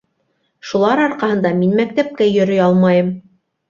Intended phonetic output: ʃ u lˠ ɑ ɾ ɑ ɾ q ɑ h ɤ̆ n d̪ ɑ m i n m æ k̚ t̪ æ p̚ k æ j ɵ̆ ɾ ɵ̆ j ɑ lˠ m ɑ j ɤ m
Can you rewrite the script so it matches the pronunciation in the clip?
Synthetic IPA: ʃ u lˠ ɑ ɾ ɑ ɾ q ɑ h ɤ̆ n d̪ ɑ m i n m æ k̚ t̪ æ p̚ k æ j ɵ̆ ɾ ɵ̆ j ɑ lˠ m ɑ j ɤ m